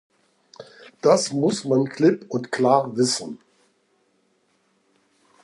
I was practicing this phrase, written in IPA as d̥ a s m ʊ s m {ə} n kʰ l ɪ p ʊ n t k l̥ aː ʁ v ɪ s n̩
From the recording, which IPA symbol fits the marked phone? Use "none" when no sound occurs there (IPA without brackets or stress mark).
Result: a